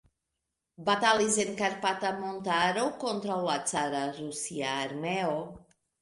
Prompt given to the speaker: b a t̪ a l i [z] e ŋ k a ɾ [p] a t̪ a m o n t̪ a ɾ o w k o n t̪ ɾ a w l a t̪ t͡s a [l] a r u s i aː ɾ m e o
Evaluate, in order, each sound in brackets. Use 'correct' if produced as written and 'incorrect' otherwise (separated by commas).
correct, correct, incorrect